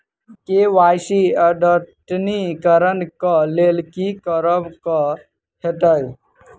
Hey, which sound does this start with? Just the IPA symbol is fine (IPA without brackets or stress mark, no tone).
k